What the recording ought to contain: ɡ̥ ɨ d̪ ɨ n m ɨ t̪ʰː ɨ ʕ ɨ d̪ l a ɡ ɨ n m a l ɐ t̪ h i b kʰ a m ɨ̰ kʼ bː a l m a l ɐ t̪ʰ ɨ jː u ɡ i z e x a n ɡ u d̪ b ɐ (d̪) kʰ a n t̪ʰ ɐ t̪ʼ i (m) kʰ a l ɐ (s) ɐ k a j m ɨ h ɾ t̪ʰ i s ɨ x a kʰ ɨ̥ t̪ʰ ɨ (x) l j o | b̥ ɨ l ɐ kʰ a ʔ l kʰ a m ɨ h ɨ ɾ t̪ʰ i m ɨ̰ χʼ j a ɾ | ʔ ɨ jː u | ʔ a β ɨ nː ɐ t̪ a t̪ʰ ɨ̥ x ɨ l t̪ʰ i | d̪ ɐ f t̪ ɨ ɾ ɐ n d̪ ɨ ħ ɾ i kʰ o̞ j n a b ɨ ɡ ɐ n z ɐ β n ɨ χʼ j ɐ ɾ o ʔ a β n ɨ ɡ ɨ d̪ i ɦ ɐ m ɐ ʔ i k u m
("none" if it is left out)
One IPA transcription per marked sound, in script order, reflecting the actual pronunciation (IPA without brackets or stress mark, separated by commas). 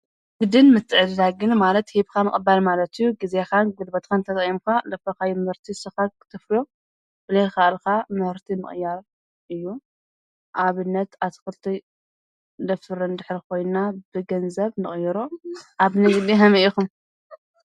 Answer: t̪, m, f, f